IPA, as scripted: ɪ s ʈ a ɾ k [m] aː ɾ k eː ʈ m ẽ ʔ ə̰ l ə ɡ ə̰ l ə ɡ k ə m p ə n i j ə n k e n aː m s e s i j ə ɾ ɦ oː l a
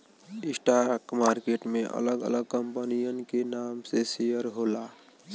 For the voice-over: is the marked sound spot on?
yes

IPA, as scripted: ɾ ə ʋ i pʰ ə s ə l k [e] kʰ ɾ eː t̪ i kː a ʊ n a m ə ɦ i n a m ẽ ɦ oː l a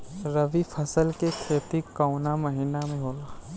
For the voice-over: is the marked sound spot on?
yes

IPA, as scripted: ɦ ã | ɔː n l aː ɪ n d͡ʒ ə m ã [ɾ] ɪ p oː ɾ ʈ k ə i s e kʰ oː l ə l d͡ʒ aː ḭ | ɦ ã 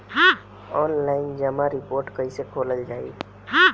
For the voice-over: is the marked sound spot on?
yes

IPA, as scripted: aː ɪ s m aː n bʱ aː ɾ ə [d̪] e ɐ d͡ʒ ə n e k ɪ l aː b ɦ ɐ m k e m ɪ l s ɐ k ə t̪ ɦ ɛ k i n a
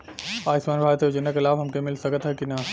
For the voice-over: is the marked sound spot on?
no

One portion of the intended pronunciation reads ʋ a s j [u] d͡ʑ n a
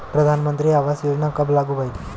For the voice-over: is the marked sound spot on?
no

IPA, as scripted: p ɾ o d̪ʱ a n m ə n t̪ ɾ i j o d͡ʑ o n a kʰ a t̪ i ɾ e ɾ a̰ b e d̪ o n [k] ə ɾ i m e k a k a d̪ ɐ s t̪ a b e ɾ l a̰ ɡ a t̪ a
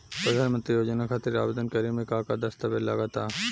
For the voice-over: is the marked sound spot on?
yes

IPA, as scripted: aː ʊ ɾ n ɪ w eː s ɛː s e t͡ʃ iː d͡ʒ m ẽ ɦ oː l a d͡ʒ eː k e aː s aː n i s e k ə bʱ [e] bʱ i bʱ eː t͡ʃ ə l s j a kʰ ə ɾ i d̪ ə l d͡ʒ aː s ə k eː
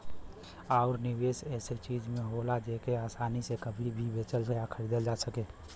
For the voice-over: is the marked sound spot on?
no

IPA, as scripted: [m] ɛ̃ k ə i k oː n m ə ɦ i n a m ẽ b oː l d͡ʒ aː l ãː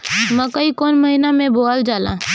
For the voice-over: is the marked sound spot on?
yes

